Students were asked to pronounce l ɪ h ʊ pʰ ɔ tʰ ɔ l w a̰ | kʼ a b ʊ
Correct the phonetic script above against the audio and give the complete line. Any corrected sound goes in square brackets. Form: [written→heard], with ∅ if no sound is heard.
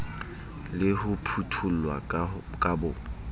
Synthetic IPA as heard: l ɪ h ʊ pʰ [ɔ→u] tʰ [ɔ→u] l w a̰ | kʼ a b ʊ